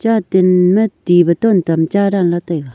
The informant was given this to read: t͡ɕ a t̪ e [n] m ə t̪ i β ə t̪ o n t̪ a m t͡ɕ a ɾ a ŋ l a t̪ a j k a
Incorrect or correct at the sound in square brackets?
correct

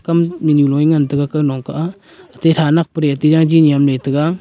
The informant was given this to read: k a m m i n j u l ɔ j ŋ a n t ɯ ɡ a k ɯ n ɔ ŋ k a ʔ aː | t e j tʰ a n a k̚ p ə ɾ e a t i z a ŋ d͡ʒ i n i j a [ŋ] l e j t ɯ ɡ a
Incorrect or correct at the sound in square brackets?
incorrect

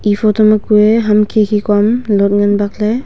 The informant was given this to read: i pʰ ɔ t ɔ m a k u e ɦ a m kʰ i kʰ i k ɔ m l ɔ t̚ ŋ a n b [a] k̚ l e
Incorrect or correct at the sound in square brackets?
correct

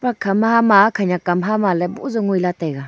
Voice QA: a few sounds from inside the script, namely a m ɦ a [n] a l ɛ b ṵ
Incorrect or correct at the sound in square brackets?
incorrect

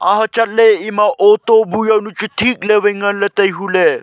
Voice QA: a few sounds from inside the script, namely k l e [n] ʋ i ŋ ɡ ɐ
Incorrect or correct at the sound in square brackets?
incorrect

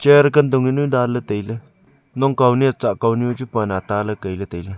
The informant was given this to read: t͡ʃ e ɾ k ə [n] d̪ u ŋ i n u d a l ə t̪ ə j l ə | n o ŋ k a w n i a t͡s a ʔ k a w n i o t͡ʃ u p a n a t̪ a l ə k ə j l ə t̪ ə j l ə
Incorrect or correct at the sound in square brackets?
correct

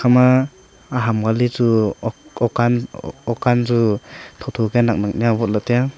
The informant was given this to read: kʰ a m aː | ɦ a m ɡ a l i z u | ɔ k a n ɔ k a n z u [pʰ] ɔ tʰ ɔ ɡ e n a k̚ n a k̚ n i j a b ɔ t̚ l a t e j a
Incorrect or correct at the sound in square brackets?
incorrect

